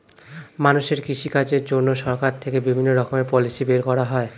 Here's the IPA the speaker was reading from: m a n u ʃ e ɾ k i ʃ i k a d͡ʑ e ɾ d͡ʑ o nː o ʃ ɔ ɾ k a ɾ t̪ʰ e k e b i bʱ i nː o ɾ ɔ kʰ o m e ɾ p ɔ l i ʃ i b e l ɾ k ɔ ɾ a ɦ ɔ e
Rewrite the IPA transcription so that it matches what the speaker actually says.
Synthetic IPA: m a n u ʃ e ɾ k i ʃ i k a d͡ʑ e ɾ d͡ʑ o nː o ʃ ɔ ɾ k a ɾ t̪ʰ e k e b i bʱ i nː o ɾ ɔ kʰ o m e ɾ p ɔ l i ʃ i b e ɾ k ɔ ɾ a ɦ ɔ e